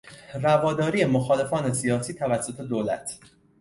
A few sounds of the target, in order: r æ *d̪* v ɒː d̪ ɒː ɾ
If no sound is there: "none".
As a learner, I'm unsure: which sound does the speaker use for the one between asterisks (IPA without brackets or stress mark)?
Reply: none